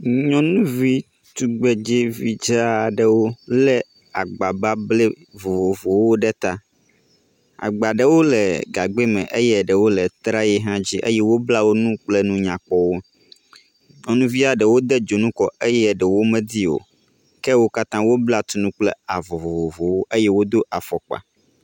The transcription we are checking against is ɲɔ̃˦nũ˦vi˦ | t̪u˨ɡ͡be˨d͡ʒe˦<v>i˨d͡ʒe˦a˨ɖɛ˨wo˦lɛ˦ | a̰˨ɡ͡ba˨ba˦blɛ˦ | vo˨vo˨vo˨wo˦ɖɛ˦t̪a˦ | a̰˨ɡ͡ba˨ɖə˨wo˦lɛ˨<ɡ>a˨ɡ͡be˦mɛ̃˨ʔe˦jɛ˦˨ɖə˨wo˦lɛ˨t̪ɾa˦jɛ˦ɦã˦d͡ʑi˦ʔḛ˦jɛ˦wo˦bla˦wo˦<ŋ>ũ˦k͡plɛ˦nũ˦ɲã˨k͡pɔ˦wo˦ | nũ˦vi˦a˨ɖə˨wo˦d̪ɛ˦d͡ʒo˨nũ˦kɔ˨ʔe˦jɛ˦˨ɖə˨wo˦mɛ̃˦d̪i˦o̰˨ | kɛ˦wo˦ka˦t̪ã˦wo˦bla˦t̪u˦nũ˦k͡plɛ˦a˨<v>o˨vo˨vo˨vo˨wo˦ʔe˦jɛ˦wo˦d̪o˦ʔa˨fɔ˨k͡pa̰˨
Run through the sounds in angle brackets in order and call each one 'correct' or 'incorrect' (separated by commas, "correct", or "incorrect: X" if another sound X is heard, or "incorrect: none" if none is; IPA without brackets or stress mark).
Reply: correct, correct, incorrect: n, correct